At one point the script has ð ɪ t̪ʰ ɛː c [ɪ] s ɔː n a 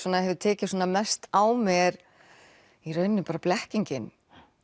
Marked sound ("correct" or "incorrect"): correct